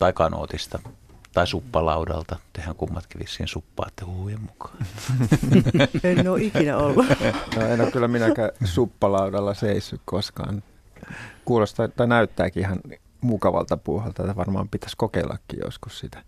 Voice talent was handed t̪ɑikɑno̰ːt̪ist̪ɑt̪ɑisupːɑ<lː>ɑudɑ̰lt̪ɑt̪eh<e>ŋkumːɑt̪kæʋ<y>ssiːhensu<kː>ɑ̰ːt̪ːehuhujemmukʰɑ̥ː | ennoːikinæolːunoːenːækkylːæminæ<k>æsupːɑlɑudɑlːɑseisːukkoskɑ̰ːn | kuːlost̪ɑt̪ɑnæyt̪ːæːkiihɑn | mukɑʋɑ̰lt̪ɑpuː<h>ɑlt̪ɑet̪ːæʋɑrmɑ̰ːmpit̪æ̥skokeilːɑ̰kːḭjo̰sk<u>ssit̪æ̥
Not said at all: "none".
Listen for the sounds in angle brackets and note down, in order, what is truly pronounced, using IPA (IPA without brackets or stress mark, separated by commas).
l, æ, i, pː, k, h, u